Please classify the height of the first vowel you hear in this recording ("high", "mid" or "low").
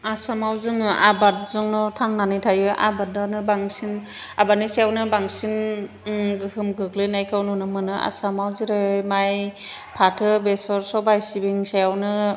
low